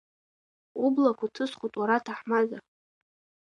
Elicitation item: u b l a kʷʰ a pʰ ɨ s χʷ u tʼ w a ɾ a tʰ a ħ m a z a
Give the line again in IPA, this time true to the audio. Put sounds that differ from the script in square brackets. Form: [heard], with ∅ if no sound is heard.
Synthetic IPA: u b l a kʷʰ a [tʰ] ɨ s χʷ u tʼ w a ɾ a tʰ a ħ m a z a

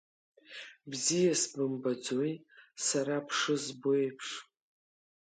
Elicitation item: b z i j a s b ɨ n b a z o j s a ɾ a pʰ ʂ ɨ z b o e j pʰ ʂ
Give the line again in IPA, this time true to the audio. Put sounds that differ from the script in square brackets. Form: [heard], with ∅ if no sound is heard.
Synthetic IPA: b z i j a s b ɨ [m] b a [d͡z] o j s a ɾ a pʰ ʂ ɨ z b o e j pʰ ʂ

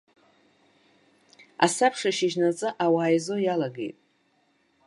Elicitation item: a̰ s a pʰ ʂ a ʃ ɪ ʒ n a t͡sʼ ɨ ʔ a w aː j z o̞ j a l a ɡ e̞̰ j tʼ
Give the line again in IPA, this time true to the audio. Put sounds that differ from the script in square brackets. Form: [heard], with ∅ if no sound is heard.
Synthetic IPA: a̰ s a pʰ ʂ a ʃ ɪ ʒ n a t͡sʼ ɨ ʔ a w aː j z o̞ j a l a ɡ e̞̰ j tʼ

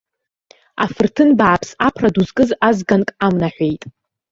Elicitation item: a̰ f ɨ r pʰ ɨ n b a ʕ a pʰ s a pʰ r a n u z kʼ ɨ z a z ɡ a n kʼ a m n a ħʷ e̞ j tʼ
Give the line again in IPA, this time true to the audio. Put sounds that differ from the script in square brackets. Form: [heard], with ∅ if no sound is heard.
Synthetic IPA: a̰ f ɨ r [tʰ] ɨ n b a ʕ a pʰ s a pʰ r a [d] u z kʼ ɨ z a z ɡ a n kʼ a m n a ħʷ e̞ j tʼ

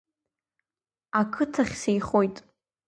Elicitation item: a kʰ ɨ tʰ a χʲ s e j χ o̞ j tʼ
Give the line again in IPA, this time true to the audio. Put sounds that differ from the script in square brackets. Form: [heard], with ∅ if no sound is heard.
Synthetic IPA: a kʰ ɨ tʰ a χʲ s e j χ o̞ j tʼ

